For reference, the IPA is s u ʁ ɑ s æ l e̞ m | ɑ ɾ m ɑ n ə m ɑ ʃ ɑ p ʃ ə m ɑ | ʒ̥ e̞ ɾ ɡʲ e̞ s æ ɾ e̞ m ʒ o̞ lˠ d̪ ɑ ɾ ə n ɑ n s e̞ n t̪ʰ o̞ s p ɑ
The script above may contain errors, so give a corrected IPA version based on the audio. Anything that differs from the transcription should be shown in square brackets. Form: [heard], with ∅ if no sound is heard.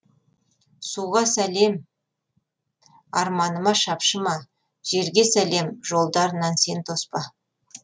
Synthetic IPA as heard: s u ʁ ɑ s æ l e̞ m | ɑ ɾ m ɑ n ə m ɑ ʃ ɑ p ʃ ə m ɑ | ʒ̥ e̞ ɾ ɡʲ e̞ s æ [l] e̞ m ʒ o̞ lˠ d̪ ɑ ɾ ə n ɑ n s e̞ n t̪ʰ o̞ s p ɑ

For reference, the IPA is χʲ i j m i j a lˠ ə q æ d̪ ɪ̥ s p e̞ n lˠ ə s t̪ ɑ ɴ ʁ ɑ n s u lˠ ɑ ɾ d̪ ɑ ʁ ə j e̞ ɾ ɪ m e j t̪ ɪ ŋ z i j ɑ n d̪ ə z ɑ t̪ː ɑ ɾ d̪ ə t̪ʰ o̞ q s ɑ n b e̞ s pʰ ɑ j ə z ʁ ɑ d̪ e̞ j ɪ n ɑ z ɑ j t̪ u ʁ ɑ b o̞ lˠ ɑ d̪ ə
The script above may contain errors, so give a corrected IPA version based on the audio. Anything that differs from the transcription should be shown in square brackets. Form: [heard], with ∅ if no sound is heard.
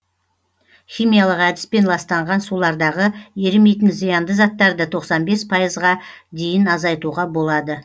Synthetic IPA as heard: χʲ i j m i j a lˠ ə q æ d̪ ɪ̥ s p e̞ n lˠ [ɑ] s t̪ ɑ ɴ ʁ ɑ n s u lˠ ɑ ɾ d̪ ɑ ʁ ə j e̞ ɾ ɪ m e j t̪ ɪ [n] z i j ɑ n d̪ ə z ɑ t̪ː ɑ ɾ d̪ ə t̪ʰ o̞ q s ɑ n b e̞ s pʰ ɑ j ə z ʁ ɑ d̪ e̞ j ɪ n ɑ z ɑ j t̪ u ʁ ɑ b o̞ lˠ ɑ d̪ ə

